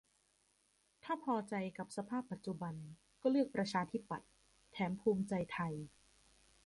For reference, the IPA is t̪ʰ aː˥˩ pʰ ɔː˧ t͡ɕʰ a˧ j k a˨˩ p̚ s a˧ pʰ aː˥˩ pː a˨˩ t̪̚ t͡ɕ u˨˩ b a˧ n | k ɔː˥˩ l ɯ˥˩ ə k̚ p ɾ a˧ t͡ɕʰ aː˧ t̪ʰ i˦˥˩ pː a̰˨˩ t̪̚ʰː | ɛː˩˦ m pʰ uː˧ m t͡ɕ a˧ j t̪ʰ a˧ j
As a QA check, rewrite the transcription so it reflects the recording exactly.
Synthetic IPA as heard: t̪ʰ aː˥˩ pʰ ɔː˧ t͡ɕ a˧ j k a˨˩ p̚ s a˧ pʰ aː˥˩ pː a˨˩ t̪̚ t͡ɕ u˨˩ b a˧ n | k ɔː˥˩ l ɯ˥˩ ə k̚ p ɾ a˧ t͡ɕʰ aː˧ t̪ʰ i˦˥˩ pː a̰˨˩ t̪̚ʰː | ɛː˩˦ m pʰ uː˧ m t͡ɕ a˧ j t̪ʰ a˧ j

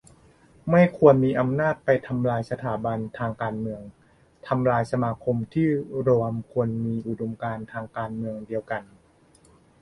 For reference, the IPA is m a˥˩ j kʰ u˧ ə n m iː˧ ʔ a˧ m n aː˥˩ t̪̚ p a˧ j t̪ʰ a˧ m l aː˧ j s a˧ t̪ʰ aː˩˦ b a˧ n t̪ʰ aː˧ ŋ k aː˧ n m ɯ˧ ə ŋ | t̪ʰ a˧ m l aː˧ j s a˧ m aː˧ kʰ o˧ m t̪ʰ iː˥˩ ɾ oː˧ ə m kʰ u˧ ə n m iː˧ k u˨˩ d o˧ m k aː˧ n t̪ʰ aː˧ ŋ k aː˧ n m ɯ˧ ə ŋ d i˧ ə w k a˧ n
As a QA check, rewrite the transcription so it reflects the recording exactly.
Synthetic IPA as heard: m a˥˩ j kʰ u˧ ə n m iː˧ ʔ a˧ m n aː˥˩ t̪̚ p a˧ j t̪ʰ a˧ m l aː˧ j s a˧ t̪ʰ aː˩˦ b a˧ n t̪ʰ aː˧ ŋ k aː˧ n m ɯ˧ ə ŋ | t̪ʰ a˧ m l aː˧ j s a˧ m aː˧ kʰ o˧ m t̪ʰ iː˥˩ ɾ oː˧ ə m kʰ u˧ ə n m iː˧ ʔ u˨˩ d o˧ m k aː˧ n t̪ʰ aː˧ ŋ k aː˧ n m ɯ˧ ə ŋ d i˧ ə w k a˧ n

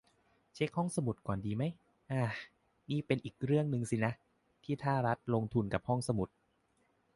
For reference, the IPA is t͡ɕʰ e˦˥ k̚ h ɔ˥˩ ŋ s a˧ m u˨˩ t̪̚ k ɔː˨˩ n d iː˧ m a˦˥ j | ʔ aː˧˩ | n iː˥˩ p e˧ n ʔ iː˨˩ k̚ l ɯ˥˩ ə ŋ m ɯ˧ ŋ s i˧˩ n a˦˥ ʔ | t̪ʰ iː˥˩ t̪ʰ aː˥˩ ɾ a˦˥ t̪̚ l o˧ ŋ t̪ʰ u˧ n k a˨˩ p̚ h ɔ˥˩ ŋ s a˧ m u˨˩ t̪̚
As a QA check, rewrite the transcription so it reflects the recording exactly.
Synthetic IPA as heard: t͡ɕʰ e˦˥ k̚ h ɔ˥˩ ŋ s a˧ m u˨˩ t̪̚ k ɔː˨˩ n d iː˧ m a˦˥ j | ʔ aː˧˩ | n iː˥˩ p e˧ n ʔ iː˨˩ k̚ ɾ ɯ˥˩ ə ŋ n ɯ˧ ŋ s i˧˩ n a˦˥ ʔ | t̪ʰ iː˥˩ t̪ʰ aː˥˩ ɾ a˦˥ t̪̚ l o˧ ŋ t̪ʰ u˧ n k a˨˩ p̚ h ɔ˥˩ ŋ s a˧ m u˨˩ t̪̚

